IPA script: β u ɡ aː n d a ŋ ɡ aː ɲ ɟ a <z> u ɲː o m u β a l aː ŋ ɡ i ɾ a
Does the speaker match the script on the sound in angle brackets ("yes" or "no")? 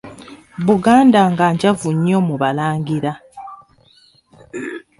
no